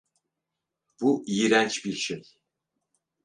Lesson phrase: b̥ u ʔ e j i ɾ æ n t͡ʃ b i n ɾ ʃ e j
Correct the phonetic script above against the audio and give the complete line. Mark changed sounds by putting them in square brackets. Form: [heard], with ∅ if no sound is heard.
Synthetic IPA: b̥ u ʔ [i] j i ɾ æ n t͡ʃ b i [∅] ɾ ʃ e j